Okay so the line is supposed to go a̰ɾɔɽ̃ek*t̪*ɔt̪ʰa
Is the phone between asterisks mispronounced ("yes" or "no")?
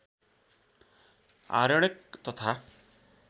no